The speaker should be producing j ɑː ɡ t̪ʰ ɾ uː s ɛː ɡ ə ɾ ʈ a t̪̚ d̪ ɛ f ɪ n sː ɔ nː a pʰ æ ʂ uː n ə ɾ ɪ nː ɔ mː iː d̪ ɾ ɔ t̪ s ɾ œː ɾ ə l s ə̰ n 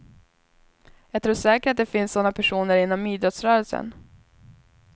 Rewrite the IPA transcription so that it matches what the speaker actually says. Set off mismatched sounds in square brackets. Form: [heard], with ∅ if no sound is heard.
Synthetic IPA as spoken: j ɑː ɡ t̪ʰ ɾ uː [ʂ] ɛː [k] ə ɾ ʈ a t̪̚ d̪ ɛ f ɪ n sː ɔ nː a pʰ æ ʂ uː n ə ɾ ɪ nː ɔ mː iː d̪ ɾ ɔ t̪ s ɾ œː ɾ ə l s ə̰ n